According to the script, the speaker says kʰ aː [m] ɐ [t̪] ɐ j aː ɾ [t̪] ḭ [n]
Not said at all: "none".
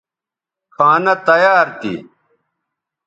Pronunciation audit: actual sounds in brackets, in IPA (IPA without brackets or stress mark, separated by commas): n, t̪, t̪, none